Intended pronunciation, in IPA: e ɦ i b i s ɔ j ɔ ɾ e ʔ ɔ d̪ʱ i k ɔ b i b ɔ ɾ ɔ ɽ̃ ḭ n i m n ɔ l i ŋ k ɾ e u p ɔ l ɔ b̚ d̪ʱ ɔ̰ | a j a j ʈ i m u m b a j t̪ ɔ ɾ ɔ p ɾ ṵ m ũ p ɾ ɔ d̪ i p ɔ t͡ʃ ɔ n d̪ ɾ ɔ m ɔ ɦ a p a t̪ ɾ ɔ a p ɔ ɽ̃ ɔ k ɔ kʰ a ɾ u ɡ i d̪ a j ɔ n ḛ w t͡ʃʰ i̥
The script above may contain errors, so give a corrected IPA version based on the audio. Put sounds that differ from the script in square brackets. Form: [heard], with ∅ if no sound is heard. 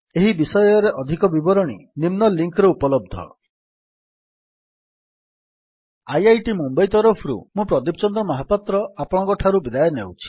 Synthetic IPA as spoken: e ɦ i b i s ɔ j ɔ ɾ e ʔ ɔ d̪ʱ i k ɔ b i b ɔ ɾ ɔ ɽ̃ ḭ n i m n ɔ l i ŋ k ɾ e u p ɔ l ɔ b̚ d̪ʱ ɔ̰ | a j a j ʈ i m u m b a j t̪ ɔ ɾ ɔ [pʰ] ɾ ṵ m ũ p ɾ ɔ d̪ i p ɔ t͡ʃ ɔ n d̪ ɾ ɔ m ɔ ɦ a p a t̪ ɾ ɔ a p ɔ ɽ̃ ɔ k ɔ [ʈʰ] a ɾ u [b] i d̪ a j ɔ n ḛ w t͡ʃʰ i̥